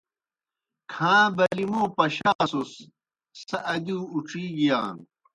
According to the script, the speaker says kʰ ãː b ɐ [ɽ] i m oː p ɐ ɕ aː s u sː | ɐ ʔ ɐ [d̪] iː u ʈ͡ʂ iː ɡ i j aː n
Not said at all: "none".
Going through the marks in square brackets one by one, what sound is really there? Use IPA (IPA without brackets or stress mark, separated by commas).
l, d̪